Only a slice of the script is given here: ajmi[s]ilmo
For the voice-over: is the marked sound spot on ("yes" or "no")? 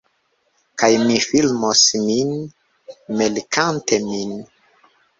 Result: no